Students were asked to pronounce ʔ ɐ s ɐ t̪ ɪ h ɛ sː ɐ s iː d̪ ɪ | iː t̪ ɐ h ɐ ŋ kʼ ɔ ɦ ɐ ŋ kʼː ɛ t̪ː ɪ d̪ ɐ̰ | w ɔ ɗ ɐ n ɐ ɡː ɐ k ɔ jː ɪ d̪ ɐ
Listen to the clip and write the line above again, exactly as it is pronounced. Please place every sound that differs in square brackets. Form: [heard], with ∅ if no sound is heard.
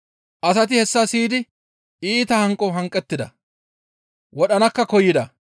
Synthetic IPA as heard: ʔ ɐ s ɐ t̪ ɪ h ɛ sː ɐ s iː d̪ ɪ | iː t̪ ɐ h ɐ ŋ kʼ ɔ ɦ ɐ ŋ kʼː ɛ t̪ː ɪ d̪ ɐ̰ | w ɔ ɗ ɐ n ɐ [kː] ɐ k ɔ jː ɪ d̪ ɐ

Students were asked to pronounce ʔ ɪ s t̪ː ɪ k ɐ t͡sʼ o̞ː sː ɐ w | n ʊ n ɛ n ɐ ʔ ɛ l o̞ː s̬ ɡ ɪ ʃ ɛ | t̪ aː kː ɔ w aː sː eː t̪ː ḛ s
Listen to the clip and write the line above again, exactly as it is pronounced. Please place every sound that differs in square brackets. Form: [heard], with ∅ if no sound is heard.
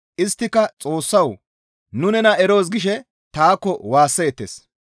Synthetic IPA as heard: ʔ ɪ s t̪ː ɪ k ɐ t͡sʼ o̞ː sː ɐ w | n ʊ n ɛ n ɐ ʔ ɛ [ɾ] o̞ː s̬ ɡ ɪ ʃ ɛ | t̪ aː kː ɔ w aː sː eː t̪ː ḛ s

